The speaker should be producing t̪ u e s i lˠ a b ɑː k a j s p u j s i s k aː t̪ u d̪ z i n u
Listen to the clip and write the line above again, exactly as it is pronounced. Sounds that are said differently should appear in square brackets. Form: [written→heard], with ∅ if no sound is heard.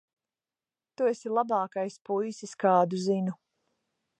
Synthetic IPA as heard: t̪ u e s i lˠ a b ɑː k a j s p u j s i s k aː [t̪→d̪] u [d̪→∅] z i n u